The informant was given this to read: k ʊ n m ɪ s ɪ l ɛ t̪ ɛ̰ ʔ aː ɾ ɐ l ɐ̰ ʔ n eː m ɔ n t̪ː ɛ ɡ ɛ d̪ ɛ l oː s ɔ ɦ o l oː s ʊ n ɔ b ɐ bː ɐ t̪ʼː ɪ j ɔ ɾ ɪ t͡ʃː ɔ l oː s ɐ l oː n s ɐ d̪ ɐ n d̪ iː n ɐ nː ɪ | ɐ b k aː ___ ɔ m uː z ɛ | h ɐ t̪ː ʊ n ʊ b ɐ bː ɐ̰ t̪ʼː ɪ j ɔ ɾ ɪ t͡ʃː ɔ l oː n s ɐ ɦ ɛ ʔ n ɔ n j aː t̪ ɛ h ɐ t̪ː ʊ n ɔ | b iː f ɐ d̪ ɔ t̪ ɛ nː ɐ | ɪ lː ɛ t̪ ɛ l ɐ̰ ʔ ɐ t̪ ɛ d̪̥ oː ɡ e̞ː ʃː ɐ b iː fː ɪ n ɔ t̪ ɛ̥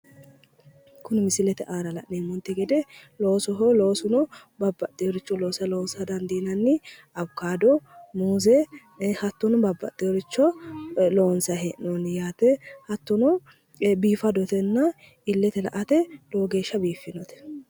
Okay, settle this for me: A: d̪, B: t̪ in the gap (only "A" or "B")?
A